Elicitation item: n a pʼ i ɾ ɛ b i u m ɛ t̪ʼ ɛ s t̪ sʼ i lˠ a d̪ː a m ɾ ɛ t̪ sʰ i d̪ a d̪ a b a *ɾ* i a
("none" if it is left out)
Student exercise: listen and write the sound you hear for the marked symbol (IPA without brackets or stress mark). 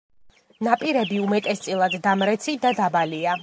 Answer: l